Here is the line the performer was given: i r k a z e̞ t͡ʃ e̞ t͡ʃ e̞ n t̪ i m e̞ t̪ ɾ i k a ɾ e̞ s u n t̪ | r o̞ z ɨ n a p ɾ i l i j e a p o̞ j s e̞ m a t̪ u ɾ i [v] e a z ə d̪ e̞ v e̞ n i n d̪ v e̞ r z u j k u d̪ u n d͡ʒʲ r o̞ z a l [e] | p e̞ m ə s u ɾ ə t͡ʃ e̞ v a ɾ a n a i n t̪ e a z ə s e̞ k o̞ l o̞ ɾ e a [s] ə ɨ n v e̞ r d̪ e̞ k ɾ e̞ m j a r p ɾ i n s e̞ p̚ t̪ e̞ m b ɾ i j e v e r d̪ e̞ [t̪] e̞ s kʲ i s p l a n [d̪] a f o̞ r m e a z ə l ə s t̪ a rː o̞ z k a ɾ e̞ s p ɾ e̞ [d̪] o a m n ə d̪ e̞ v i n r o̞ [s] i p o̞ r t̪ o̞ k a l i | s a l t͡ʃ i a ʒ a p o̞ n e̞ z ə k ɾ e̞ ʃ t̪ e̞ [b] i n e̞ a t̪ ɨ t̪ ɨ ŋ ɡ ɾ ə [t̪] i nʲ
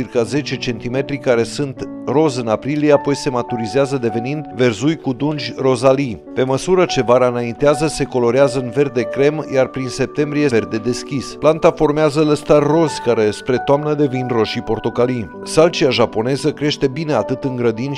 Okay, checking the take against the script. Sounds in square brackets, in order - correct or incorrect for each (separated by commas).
incorrect, incorrect, incorrect, incorrect, incorrect, incorrect, incorrect, correct, incorrect